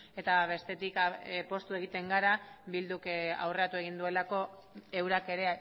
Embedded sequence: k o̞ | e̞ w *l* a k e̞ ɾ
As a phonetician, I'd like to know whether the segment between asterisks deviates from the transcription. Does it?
yes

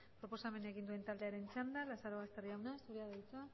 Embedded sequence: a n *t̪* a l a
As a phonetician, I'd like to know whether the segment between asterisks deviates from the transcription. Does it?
yes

